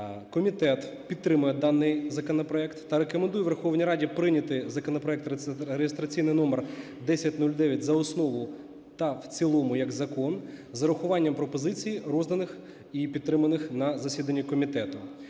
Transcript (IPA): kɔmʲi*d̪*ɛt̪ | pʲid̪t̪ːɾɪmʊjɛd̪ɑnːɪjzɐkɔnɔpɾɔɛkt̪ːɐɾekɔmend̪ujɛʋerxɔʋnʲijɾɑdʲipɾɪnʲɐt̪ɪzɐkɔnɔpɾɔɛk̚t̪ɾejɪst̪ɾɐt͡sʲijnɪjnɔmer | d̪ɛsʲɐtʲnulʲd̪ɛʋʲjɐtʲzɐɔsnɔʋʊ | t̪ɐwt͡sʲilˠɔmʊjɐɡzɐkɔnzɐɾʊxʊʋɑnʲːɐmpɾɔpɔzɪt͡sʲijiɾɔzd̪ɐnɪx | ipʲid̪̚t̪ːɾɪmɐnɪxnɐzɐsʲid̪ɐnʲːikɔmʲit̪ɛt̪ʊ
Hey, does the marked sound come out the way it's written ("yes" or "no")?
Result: no